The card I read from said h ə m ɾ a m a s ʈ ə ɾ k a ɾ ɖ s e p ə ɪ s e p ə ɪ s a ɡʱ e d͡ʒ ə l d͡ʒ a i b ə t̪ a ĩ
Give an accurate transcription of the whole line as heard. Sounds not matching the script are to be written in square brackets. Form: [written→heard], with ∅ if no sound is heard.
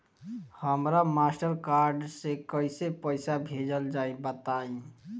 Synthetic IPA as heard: h ə m ɾ a m a s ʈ ə ɾ k a ɾ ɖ s e [p→k] ə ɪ s e p ə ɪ s a [ɡʱ→bʱ] e d͡ʒ ə l d͡ʒ a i b ə t̪ a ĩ

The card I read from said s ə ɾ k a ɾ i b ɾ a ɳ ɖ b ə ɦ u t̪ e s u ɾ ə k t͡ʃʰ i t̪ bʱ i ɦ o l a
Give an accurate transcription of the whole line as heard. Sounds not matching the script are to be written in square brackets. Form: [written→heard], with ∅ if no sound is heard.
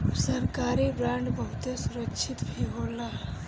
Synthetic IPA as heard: s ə ɾ k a ɾ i b ɾ a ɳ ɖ b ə ɦ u t̪ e s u ɾ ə k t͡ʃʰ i t̪ bʱ i ɦ o l a

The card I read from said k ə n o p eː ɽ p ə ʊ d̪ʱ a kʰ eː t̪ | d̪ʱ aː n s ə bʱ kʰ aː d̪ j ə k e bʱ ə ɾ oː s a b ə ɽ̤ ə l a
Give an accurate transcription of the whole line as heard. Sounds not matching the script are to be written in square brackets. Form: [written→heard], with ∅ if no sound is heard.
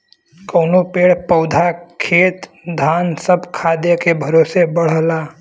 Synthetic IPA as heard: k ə n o p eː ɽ p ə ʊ d̪ʱ a kʰ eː t̪ | d̪ʱ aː n s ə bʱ kʰ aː d̪ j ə k e bʱ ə ɾ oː s [a→e] b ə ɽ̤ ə l a

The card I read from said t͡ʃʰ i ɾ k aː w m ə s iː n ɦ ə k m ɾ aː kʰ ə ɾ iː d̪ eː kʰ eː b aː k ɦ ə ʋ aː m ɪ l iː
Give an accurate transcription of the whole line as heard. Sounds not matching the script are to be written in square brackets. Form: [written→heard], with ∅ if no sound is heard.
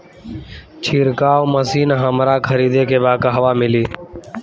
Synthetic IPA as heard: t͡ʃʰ [i→iː] ɾ k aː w m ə s iː n ɦ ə [k→∅] m ɾ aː kʰ ə ɾ iː d̪ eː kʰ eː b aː k ɦ ə ʋ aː m ɪ l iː

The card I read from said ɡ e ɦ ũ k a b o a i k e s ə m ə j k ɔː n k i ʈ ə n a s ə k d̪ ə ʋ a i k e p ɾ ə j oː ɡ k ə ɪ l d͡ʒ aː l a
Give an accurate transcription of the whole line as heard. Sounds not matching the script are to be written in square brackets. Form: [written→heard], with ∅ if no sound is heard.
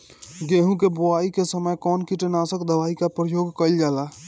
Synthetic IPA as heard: ɡ e ɦ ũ k [a→e] b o a i k e s ə m ə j k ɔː n k i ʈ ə n a s ə k d̪ ə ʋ a i k [e→a] p ɾ ə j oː ɡ k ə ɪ l d͡ʒ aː l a

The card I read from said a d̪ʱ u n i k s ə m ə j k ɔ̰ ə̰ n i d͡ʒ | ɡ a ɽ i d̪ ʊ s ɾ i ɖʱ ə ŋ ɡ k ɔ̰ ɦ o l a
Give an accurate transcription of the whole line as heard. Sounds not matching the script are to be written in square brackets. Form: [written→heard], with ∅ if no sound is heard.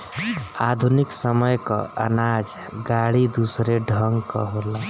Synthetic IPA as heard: a d̪ʱ u n i k s ə m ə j k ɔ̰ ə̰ n [i→a] d͡ʒ | ɡ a ɽ i d̪ [ʊ→u] s ɾ [i→e] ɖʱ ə ŋ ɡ k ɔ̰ ɦ o l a

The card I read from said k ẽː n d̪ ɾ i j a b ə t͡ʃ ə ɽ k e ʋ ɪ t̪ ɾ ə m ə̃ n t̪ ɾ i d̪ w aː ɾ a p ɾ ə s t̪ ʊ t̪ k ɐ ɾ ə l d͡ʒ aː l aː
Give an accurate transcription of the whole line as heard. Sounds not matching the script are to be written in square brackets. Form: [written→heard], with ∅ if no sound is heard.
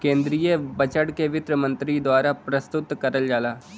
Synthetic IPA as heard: k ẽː n d̪ ɾ i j [a→ə] b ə t͡ʃ ə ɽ k e ʋ ɪ t̪ ɾ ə m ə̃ n t̪ ɾ i d̪ w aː ɾ a p ɾ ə s t̪ ʊ t̪ k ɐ ɾ ə l d͡ʒ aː l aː

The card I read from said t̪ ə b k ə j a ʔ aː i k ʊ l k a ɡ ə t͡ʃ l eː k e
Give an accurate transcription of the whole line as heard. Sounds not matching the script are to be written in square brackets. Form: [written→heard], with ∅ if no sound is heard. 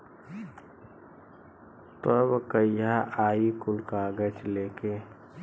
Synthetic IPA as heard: t̪ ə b k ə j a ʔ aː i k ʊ l k a ɡ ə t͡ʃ l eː k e

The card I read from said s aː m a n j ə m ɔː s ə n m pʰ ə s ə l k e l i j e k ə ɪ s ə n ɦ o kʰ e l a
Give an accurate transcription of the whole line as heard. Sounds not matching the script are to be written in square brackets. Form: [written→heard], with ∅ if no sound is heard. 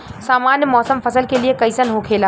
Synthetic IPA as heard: s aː m a n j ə m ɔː s ə [n→∅] m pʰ ə s ə l k e l i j e k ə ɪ s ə n ɦ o kʰ e l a

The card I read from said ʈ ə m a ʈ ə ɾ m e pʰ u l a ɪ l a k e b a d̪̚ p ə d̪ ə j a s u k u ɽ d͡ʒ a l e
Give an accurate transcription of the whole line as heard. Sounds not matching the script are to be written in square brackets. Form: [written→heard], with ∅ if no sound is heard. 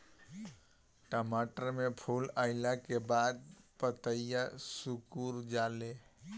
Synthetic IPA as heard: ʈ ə m a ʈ ə ɾ m e pʰ u l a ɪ l a k e b a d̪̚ p ə [d̪→t̪] ə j a s u k u [ɽ→ɾ] d͡ʒ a l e

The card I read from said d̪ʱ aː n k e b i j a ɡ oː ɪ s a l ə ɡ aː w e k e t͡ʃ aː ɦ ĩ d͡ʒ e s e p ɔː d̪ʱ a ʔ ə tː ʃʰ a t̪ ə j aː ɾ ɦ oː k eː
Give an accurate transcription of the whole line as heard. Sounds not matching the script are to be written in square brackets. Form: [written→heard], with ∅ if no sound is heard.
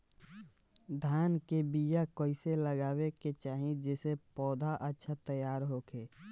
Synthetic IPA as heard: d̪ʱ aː n k e b i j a [ɡ→k] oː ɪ s [a→e] l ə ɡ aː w e k e t͡ʃ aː ɦ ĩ d͡ʒ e s e p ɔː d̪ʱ a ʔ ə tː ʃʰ a t̪ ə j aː ɾ ɦ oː k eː

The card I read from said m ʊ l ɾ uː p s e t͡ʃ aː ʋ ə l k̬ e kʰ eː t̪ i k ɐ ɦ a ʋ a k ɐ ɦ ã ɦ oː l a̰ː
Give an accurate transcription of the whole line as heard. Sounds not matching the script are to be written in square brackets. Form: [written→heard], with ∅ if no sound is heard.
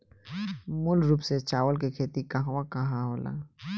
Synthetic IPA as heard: m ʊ l ɾ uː p s e t͡ʃ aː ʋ ə l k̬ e kʰ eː t̪ i k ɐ ɦ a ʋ a k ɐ ɦ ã ɦ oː l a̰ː

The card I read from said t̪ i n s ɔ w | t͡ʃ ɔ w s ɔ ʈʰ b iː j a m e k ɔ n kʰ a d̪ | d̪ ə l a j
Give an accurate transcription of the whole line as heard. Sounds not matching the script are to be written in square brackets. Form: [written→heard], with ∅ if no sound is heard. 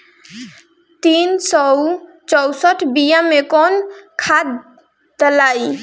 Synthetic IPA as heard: t̪ i n s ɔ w | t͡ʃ ɔ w s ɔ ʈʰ b [iː→i] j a m e k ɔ n kʰ a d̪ | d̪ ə l a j

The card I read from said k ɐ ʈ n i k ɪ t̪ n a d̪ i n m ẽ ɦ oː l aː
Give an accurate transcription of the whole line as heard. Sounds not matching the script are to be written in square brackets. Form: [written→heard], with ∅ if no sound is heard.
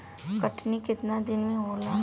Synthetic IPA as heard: k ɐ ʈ n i k ɪ t̪ n a d̪ [i→ɪ] n m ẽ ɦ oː l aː

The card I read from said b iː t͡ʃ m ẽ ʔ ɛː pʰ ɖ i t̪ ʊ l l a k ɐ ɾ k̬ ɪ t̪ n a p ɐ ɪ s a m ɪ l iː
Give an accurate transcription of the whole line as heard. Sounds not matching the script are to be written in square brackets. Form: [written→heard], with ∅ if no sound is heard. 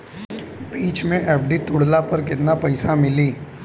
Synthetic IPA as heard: b iː t͡ʃ m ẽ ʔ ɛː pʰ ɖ i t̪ ʊ [l→ɽ] l a [k→p] ɐ ɾ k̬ ɪ t̪ n a p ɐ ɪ s a m ɪ l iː

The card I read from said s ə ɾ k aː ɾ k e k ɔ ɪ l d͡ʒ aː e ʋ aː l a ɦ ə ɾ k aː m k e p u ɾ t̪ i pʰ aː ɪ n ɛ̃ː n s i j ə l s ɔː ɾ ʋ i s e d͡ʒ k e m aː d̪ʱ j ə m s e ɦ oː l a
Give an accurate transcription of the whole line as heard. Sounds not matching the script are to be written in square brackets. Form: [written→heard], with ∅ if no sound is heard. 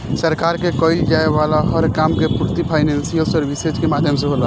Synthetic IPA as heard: s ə ɾ k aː ɾ k e k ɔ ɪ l d͡ʒ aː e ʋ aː l a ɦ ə ɾ k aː m k e p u ɾ t̪ i pʰ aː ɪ n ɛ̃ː n s i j ə l s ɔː ɾ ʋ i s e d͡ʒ k e m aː d̪ʱ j ə m s e ɦ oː l a

